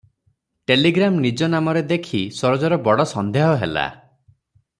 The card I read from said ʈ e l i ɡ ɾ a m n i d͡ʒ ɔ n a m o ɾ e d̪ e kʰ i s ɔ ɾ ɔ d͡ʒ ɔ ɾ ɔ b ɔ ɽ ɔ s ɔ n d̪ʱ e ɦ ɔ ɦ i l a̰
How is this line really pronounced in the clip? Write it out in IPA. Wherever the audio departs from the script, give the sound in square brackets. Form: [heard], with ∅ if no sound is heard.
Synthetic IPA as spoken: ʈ e l i ɡ ɾ a m n i d͡ʒ ɔ n a m [ɔ] ɾ e d̪ e kʰ i s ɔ ɾ ɔ d͡ʒ ɔ ɾ ɔ b ɔ ɽ ɔ s ɔ n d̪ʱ e ɦ ɔ ɦ [e] l a̰